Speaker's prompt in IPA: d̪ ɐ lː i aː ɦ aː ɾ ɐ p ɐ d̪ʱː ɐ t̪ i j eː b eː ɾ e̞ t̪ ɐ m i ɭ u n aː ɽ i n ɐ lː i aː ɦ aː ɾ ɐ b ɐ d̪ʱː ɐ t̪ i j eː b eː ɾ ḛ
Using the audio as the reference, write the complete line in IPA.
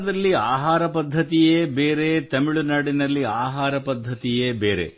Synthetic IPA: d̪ ɐ lː i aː ɦ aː ɾ ɐ p ɐ d̪ʱː ɐ t̪ i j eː b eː ɾ e̞ t̪ ɐ m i ɭ u n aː ɽ i n ɐ lː i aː ɦ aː ɾ ɐ p ɐ d̪ʱː ɐ t̪ i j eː b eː ɾ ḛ